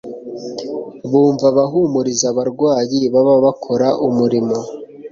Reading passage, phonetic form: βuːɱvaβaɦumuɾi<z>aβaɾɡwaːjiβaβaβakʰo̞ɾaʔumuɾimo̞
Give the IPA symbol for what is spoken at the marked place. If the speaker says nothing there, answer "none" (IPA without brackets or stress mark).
z